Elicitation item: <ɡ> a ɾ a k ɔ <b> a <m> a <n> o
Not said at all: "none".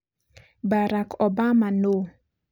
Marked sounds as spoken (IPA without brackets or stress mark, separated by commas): b, b, m, n